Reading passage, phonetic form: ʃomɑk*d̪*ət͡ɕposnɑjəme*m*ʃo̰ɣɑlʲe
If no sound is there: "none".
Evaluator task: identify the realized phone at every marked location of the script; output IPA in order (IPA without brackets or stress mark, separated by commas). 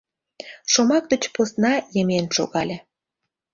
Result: d̪, n